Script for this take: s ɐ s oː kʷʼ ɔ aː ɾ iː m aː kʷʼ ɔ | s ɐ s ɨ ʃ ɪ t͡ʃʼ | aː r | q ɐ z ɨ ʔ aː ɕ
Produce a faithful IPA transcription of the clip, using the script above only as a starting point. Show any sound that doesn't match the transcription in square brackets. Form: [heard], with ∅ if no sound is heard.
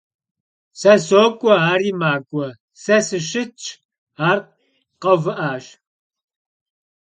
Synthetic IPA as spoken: s ɐ s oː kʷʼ ɔ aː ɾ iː m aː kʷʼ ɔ | s ɐ s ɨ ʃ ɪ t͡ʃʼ | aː r | q ɐ [v] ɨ ʔ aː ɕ